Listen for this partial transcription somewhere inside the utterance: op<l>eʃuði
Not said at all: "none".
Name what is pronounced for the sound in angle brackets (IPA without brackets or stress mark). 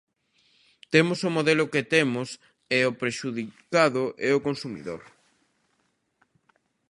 ɾ